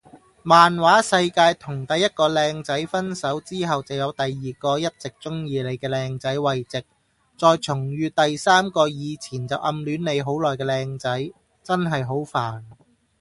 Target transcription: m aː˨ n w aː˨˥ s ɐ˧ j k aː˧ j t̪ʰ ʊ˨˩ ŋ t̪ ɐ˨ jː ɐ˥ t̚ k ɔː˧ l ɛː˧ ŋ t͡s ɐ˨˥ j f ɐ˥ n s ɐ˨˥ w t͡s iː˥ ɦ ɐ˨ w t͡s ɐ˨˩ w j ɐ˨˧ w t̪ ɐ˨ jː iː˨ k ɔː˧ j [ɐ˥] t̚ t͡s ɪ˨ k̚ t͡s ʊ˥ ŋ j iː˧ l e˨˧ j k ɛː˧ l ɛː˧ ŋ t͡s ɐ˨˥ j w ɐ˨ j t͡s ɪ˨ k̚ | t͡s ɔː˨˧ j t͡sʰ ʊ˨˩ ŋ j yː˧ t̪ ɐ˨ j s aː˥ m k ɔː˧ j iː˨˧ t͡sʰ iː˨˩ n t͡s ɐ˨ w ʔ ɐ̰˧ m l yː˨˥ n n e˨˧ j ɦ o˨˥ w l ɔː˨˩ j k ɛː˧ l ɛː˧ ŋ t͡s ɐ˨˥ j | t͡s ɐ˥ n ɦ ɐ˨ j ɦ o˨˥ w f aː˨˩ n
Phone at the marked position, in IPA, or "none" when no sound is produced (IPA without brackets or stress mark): ɐ˥